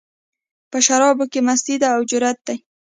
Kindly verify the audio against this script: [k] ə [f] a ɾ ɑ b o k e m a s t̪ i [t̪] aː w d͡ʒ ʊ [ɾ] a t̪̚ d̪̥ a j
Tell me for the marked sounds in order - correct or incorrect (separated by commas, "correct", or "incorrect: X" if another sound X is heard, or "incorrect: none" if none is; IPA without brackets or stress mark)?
incorrect: p, incorrect: ʃ, incorrect: d̪, correct